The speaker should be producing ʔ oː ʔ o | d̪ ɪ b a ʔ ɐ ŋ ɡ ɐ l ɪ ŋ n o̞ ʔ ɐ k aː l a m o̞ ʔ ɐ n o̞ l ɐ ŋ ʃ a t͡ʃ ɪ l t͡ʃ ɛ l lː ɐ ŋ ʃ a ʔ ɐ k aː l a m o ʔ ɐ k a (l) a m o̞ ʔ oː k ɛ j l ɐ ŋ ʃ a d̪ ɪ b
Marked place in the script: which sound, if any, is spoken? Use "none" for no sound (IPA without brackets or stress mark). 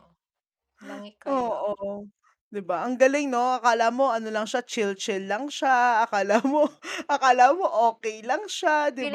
l